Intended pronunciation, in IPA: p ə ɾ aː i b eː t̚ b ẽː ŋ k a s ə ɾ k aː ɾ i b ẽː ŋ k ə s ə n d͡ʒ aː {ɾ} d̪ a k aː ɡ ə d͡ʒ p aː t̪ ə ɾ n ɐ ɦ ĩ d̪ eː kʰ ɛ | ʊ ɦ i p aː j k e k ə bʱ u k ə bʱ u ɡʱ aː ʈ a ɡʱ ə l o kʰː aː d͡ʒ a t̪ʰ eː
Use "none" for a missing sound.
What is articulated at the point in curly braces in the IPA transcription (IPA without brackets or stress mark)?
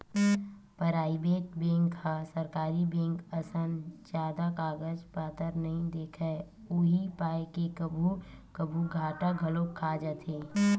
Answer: none